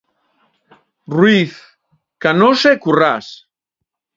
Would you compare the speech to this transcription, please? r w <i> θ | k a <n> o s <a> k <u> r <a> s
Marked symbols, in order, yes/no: yes, yes, no, yes, yes

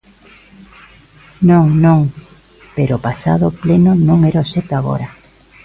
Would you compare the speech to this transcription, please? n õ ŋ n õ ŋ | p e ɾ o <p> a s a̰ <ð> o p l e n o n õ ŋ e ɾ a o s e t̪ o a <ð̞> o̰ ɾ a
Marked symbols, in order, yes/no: yes, yes, no

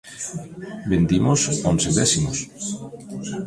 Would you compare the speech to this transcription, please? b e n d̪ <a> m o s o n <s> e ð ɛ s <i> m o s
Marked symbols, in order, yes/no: no, yes, yes

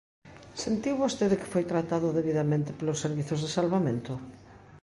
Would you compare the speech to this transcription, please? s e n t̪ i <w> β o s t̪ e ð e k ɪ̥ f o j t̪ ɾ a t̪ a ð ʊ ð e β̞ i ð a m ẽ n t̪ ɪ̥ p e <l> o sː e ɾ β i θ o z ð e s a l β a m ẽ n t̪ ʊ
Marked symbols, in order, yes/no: yes, yes

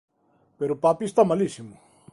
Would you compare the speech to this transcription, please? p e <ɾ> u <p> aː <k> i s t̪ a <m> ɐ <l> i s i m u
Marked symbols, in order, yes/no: yes, yes, no, yes, yes

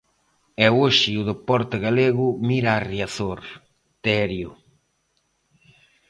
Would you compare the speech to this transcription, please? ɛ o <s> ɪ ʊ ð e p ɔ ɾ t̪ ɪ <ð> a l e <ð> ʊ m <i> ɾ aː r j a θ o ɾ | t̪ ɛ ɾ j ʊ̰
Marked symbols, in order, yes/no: no, no, no, yes

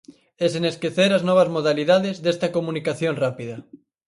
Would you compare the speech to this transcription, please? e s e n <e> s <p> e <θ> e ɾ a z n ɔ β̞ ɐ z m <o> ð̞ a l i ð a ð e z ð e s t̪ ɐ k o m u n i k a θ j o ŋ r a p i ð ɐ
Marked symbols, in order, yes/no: yes, no, yes, yes

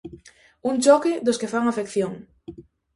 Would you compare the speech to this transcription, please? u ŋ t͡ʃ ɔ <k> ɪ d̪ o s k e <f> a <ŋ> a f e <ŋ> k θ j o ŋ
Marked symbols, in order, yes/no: yes, yes, yes, no

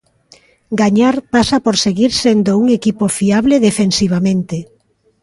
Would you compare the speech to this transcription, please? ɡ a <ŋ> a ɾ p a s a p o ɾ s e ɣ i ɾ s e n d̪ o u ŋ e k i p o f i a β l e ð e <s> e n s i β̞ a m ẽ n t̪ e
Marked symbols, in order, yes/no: no, no

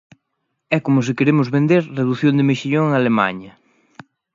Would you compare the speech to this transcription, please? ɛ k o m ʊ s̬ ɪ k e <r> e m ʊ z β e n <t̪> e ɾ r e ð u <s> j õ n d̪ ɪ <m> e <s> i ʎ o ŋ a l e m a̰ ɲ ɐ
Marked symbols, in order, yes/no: no, no, no, yes, no

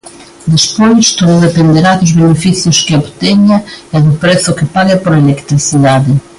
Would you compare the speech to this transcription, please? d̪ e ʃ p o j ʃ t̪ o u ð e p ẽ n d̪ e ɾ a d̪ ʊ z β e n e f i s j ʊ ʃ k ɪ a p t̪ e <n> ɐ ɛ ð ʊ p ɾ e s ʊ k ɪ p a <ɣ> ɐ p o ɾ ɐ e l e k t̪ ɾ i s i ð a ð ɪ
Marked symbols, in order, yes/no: no, yes

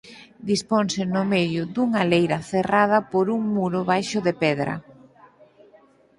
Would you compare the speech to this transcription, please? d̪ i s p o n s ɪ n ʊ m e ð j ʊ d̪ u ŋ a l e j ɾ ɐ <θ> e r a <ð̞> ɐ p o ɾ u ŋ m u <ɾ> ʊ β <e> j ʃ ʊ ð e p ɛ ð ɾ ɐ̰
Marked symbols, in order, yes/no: yes, yes, yes, no

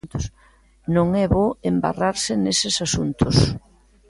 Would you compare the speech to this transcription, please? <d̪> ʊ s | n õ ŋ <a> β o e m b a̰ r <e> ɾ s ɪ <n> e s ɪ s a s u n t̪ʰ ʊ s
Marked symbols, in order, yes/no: no, no, no, yes

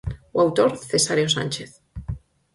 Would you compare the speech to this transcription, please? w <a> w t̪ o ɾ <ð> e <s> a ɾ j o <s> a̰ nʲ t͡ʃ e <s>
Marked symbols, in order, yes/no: yes, no, yes, yes, no

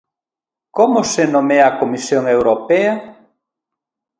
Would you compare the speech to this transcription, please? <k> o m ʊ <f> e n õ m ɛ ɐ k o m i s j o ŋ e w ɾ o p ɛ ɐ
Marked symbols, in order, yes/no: yes, no

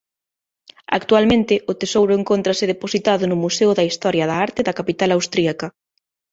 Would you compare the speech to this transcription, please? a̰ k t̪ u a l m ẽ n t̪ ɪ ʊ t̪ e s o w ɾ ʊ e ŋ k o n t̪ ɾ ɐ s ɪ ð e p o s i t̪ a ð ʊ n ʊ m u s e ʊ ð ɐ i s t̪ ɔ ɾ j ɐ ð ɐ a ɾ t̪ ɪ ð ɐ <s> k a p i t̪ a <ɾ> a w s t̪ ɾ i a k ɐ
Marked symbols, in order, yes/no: no, no

